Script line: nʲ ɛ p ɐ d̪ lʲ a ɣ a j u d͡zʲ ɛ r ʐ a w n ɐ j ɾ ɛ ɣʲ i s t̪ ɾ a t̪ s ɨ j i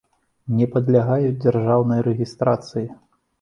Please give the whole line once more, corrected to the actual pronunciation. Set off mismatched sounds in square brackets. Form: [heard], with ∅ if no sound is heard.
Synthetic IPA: nʲ ɛ p ɐ d̪ lʲ a ɣ a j u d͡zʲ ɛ r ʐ a w n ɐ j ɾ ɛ ɣʲ i s t̪ ɾ a t̪ s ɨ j i